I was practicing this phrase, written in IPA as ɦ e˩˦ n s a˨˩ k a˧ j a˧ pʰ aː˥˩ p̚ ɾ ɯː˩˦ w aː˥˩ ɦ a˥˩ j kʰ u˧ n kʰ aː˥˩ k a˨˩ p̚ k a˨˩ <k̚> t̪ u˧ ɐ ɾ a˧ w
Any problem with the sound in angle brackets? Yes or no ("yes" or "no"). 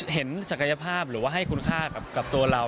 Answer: yes